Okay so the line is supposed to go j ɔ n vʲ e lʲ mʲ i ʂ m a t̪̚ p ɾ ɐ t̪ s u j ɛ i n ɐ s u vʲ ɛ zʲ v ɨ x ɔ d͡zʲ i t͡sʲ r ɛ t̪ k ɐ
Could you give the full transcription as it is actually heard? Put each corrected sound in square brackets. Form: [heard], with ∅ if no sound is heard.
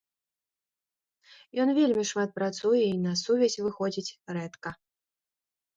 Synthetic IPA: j ɔ n vʲ e lʲ mʲ i ʂ m a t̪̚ p ɾ [a] t̪ s u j ɛ i n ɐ s u vʲ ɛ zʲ v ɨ x ɔ d͡zʲ i t͡sʲ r ɛ t̪ k ɐ